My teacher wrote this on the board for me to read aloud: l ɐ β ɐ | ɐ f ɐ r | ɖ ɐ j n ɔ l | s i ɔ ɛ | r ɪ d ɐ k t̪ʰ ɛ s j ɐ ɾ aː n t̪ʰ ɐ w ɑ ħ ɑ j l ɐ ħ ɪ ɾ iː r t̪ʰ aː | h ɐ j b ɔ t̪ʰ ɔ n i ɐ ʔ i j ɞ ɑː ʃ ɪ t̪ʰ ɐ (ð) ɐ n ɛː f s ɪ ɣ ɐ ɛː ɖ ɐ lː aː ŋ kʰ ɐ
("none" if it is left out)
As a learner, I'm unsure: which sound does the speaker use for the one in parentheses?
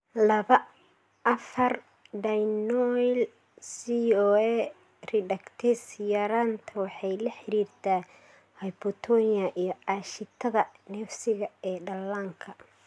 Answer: ð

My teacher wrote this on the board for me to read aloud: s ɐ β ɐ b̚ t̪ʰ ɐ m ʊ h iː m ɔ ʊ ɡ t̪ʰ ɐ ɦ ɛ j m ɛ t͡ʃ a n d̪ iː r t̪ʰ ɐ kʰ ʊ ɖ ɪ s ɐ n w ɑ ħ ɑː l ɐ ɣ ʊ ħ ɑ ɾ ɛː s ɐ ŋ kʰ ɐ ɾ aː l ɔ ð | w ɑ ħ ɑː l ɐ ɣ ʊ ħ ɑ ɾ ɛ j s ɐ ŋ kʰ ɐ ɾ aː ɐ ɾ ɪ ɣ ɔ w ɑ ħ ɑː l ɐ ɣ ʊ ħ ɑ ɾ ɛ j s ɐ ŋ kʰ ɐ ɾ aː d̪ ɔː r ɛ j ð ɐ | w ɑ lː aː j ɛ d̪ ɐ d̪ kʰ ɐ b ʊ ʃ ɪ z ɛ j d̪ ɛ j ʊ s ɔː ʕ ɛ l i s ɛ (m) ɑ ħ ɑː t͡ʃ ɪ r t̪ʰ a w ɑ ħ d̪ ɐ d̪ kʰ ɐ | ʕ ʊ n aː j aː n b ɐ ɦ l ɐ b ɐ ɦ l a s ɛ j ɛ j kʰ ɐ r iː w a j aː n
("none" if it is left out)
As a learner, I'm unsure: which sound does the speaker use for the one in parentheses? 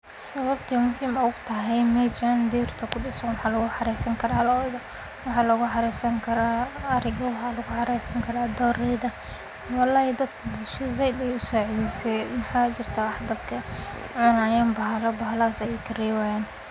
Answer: m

